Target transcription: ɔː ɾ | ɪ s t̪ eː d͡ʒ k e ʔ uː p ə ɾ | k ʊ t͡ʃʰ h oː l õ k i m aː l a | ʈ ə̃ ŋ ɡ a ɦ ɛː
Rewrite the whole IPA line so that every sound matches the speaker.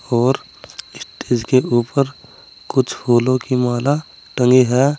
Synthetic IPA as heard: ɔː ɾ | ɪ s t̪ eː d͡ʒ k e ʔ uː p ə ɾ | k ʊ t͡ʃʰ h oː l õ k i m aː l a | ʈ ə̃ ŋ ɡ i ɦ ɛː